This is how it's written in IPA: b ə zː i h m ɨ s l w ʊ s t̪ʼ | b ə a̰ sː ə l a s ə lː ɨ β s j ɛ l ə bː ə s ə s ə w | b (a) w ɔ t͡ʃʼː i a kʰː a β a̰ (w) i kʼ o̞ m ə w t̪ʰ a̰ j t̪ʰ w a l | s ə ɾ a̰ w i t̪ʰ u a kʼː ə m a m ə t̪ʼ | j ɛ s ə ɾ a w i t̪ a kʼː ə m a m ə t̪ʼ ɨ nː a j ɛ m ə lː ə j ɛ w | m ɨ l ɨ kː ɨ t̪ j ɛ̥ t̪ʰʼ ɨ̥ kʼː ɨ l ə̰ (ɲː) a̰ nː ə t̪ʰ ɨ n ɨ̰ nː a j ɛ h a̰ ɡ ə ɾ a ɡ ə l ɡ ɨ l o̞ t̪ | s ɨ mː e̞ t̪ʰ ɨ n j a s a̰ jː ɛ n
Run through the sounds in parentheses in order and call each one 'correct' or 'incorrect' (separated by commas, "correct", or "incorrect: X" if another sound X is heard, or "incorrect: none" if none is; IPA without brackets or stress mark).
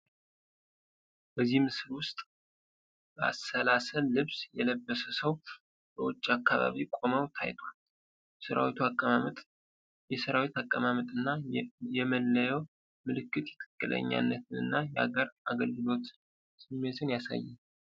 incorrect: ə, incorrect: β, correct